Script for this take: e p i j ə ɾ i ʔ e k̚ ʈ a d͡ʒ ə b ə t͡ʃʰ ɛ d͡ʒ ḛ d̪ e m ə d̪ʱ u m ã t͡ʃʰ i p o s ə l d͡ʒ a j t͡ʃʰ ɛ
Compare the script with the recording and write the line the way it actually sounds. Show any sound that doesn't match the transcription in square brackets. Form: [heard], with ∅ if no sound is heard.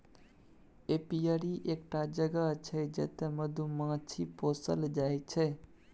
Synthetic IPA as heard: e p i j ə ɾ i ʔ e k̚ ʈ a d͡ʒ ə [ɡ] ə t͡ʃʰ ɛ d͡ʒ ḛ [t̪] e m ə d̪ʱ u m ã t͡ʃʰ i p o s ə l d͡ʒ a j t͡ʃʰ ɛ